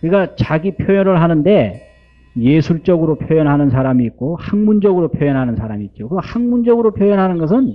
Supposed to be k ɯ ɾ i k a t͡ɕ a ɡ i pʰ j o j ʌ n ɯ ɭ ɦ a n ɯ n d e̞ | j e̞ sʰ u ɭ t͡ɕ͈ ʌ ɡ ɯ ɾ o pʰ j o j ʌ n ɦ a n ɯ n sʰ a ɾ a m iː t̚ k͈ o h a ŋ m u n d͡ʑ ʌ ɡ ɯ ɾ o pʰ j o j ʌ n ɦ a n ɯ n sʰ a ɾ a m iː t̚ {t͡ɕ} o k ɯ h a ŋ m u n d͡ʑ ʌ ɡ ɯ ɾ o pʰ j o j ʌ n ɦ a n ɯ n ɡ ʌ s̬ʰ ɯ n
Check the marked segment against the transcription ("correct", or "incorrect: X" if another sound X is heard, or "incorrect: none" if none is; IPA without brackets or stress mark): correct